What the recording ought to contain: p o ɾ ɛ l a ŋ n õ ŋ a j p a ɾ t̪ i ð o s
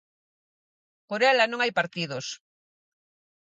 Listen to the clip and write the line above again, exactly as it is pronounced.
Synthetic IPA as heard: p o ɾ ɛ l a n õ ŋ a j p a ɾ t̪ i ð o s